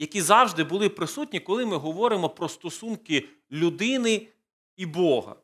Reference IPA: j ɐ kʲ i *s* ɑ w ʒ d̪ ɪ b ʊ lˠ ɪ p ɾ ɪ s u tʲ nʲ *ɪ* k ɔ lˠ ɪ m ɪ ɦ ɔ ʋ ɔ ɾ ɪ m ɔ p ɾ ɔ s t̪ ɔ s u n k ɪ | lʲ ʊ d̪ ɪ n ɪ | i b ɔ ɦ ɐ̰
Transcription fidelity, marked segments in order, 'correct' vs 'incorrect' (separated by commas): incorrect, incorrect